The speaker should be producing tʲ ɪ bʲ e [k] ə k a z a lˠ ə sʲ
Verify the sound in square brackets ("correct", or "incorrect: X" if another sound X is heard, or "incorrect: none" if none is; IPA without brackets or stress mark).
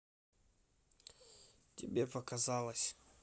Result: incorrect: p